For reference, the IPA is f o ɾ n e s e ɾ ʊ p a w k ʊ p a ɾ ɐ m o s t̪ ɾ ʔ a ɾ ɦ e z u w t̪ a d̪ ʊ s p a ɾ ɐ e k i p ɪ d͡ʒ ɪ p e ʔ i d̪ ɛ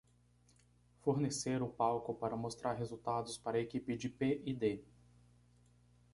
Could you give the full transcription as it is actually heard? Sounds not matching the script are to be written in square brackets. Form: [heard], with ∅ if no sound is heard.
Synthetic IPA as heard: f o ɾ n e s e ɾ ʊ p a w k ʊ p a ɾ ɐ m o s t̪ ɾ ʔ a ɾ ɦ e z u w t̪ a d̪ ʊ s p a ɾ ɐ e k i p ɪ d͡ʒ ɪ p e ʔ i d̪ [e]